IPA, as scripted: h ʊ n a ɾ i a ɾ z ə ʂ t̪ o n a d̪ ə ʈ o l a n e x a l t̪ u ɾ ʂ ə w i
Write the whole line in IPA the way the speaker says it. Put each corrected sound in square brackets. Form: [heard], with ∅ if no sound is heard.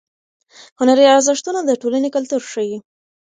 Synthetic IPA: h ʊ n a ɾ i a ɾ z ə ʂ t̪ [u] n a d̪ ə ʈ o l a n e [k] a l t̪ u ɾ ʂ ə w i

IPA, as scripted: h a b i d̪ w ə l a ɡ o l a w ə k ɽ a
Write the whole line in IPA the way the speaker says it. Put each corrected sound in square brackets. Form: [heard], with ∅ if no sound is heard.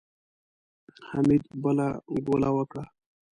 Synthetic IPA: h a [m] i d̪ [b] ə l a ɡ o l a w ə k ɽ a

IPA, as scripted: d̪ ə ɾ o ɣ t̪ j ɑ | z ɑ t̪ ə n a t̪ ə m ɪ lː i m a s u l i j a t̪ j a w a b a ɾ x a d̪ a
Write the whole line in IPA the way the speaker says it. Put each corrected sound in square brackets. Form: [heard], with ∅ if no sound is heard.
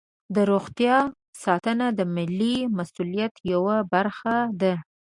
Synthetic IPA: d̪ ə ɾ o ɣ t̪ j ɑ | [s] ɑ t̪ ə n a [d̪] ə m ɪ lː i m a s u l i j a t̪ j a w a b a ɾ x a d̪ a

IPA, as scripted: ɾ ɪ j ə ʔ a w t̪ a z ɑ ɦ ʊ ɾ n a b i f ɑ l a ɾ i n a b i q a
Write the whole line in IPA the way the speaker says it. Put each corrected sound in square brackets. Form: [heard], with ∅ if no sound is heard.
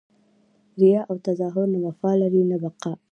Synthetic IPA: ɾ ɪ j [ɑ] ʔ a w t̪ a z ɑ ɦ ʊ ɾ n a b [a] f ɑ l a ɾ i n a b [a] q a

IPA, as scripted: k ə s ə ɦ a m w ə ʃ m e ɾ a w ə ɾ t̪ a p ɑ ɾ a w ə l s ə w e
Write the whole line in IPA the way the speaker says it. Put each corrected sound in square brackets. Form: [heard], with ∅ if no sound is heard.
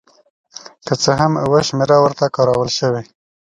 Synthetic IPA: k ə [t͡s] ə ɦ a m w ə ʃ m e ɾ a w ə ɾ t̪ a [k] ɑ ɾ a w ə l [ʃ] ə w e

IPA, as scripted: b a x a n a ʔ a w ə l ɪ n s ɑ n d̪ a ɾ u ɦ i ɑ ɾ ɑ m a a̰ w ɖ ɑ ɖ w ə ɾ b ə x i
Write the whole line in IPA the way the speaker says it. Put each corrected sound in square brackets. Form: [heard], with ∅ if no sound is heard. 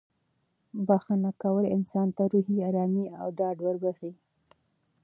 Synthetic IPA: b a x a n a [k] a w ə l ɪ n s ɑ n [t̪] a ɾ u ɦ i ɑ ɾ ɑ m [i] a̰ w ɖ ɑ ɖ w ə ɾ b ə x i

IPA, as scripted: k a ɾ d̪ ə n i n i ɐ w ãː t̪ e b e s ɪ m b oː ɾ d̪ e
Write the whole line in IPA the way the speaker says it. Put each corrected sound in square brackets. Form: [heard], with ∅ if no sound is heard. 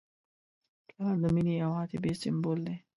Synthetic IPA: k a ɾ d̪ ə [m] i n i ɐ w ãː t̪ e b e s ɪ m b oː [l] d̪ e

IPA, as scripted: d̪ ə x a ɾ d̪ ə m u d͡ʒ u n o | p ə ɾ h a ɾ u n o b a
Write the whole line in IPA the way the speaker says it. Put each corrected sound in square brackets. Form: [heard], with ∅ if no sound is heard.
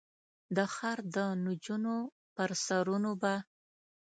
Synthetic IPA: d̪ ə x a ɾ d̪ ə [n] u d͡ʒ u n o | p ə ɾ [s] a ɾ u n o b a

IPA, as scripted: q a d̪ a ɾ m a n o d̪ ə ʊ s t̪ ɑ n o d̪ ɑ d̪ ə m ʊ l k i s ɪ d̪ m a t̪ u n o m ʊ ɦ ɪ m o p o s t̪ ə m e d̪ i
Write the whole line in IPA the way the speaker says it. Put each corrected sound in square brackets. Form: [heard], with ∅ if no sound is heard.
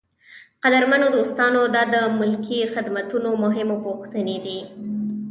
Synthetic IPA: q a d̪ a ɾ m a n o d̪ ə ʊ s t̪ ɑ n o d̪ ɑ d̪ ə m ʊ l k i [x] ɪ d̪ m a t̪ u n o m ʊ ɦ ɪ m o p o [x] t̪ ə [n] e d̪ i

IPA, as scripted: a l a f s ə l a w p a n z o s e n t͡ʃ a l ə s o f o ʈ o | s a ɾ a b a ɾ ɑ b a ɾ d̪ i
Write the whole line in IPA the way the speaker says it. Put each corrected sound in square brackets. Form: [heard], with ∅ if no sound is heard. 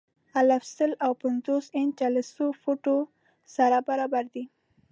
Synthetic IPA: a l a f s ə l a w p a n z o s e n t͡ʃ a l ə s o f o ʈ o | s a ɾ a b a ɾ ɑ b a ɾ d̪ i

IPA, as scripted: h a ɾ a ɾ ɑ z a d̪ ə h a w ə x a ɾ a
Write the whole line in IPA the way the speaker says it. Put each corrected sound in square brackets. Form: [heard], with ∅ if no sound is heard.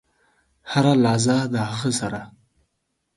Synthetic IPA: h a ɾ a [l] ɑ z a d̪ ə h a [ɣ] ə [s] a ɾ a

